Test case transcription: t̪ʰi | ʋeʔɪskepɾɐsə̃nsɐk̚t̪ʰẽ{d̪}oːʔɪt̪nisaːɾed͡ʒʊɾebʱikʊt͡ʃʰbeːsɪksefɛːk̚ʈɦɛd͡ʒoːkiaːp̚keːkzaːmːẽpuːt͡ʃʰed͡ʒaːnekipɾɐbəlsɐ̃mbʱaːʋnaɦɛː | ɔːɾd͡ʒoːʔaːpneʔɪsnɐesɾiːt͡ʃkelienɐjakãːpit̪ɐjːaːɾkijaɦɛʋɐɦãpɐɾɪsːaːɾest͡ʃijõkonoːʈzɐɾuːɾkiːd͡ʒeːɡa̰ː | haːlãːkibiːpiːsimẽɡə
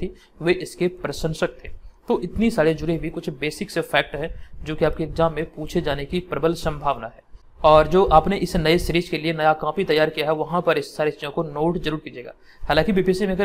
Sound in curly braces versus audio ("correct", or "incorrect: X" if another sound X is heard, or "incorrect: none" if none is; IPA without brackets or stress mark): incorrect: t̪